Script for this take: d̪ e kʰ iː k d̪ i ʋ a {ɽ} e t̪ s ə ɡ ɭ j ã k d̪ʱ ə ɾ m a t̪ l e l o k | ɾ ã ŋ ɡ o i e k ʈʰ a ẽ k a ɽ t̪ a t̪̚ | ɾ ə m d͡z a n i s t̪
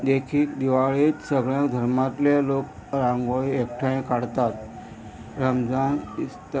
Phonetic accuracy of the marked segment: incorrect: ɭ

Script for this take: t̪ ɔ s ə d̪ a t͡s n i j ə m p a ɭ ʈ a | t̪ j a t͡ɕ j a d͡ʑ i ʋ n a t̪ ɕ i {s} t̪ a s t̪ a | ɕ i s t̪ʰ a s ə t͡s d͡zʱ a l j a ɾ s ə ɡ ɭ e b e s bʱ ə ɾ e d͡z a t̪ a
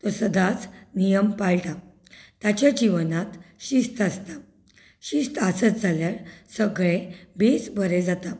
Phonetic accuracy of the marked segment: correct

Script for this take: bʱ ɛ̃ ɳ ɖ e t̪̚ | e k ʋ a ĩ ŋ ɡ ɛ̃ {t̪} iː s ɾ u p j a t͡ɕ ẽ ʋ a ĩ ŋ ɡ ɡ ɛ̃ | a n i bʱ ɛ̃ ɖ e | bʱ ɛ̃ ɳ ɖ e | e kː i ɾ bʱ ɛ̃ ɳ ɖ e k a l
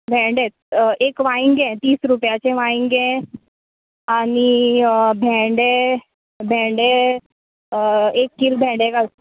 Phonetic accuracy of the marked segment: correct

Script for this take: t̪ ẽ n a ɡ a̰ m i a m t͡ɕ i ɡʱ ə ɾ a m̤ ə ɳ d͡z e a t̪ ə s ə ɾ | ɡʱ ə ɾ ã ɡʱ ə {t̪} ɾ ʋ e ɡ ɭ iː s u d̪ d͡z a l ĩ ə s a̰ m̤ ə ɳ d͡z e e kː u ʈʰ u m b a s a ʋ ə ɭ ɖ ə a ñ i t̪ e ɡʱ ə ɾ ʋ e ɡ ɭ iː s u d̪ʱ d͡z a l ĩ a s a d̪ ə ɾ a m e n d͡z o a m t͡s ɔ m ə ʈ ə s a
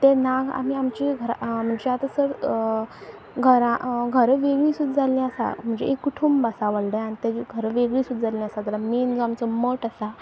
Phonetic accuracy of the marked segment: incorrect: none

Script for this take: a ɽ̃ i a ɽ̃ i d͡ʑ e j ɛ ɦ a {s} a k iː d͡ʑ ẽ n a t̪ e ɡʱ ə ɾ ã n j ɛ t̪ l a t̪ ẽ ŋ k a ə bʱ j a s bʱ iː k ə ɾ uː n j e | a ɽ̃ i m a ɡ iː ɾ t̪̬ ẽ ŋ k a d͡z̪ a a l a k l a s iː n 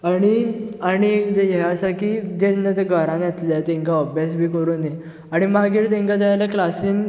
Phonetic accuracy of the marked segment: correct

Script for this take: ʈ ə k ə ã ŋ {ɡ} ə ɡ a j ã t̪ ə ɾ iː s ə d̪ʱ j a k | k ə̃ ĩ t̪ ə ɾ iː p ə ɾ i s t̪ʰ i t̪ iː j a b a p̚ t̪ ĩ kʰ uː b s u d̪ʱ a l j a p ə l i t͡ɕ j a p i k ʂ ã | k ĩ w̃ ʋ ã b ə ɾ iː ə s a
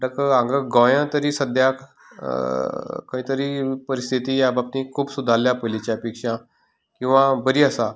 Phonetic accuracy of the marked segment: correct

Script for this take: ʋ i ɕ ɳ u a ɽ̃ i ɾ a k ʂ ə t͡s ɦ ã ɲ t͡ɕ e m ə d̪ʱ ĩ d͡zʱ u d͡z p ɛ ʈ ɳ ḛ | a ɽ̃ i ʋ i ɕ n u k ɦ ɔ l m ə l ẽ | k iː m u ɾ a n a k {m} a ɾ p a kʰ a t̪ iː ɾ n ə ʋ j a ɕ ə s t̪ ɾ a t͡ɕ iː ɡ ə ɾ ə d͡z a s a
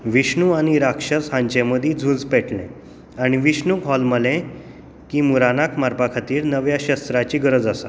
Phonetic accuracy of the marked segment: correct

